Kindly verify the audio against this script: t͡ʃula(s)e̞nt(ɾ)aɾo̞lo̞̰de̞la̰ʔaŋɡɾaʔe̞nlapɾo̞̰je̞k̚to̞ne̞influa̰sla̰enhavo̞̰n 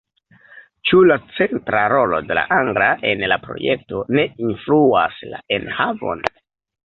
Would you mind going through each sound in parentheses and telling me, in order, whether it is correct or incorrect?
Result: incorrect: t͡s, correct

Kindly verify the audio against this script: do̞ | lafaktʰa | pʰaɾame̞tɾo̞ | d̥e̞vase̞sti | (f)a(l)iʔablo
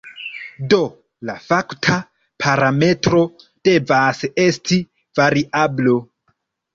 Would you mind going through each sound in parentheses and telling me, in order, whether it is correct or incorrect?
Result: incorrect: v, incorrect: ɾ

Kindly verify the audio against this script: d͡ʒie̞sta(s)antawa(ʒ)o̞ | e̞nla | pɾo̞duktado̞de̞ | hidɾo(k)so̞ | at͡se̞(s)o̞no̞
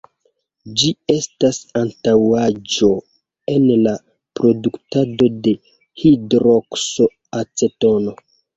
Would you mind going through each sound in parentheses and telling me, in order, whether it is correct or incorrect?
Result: correct, incorrect: d͡ʒ, correct, incorrect: t

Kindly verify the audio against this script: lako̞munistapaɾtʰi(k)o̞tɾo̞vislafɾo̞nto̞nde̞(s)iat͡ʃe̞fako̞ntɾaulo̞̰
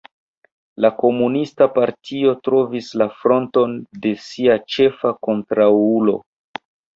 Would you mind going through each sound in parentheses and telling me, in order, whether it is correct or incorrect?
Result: incorrect: none, correct

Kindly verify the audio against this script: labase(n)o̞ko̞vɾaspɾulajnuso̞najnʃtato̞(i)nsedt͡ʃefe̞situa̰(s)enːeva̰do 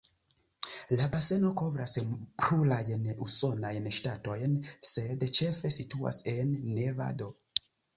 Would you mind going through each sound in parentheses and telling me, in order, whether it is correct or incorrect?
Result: correct, incorrect: j, correct

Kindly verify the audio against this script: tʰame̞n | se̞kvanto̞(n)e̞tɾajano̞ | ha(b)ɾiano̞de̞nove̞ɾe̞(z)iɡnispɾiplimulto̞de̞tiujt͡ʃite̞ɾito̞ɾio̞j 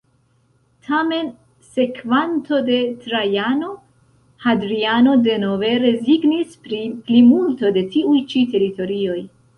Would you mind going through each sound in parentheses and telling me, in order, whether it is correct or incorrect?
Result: incorrect: d, incorrect: d, correct

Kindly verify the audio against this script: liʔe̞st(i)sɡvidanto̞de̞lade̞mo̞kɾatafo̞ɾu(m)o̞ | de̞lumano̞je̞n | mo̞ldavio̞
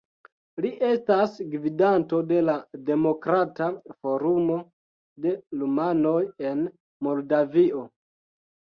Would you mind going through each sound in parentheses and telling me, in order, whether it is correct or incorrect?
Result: incorrect: a, correct

